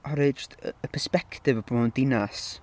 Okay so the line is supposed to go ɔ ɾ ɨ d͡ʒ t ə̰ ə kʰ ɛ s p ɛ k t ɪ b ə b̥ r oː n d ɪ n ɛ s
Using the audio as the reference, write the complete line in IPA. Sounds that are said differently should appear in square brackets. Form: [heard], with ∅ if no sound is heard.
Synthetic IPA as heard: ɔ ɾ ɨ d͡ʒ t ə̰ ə [pʰ] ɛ s p ɛ k t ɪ [v] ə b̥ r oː n d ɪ n [a] s